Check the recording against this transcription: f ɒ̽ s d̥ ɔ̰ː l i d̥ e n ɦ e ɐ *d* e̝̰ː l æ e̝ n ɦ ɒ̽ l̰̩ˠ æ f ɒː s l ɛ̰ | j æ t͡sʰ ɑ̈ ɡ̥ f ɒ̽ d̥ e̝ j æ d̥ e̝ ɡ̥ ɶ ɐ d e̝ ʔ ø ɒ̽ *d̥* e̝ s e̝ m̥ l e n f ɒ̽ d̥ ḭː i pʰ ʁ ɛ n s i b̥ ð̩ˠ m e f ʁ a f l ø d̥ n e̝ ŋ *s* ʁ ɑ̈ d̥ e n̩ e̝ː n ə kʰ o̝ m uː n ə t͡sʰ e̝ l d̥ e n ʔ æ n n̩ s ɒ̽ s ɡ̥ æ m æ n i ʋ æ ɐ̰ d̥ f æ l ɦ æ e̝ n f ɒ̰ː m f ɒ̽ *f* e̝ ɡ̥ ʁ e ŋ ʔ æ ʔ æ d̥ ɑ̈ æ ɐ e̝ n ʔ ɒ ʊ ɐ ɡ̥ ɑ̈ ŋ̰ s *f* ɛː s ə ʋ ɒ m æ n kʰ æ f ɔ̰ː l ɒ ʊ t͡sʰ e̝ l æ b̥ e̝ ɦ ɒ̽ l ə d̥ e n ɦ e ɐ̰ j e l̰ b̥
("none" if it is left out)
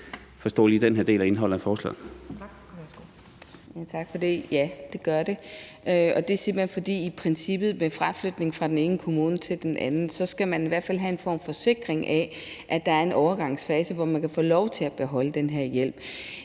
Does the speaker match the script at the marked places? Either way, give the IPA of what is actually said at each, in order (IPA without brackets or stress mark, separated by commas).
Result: d, d̥, f, s, f